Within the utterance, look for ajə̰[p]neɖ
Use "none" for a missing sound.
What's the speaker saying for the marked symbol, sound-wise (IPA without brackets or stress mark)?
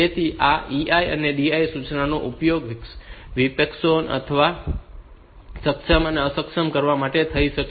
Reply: none